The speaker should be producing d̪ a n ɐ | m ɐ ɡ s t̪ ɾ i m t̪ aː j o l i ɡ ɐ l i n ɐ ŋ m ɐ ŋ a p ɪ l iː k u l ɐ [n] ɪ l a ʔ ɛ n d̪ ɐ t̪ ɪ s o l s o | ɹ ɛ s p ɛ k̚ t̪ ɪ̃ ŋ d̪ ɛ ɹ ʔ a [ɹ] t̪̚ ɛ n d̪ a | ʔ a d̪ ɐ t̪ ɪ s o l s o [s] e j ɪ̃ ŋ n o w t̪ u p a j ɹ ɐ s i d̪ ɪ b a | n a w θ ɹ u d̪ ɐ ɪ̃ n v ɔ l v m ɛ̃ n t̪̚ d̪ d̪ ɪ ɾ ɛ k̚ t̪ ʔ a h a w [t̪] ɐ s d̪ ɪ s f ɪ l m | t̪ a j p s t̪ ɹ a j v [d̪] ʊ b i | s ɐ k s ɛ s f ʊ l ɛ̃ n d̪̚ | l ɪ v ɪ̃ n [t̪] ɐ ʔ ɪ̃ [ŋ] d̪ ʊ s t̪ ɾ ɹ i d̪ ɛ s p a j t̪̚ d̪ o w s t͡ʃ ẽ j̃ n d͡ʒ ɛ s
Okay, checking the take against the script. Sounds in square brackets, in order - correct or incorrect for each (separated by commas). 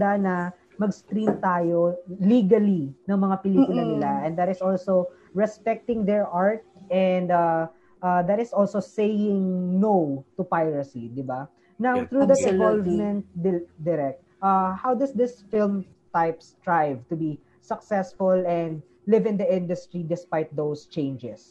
correct, correct, correct, incorrect, incorrect, incorrect, incorrect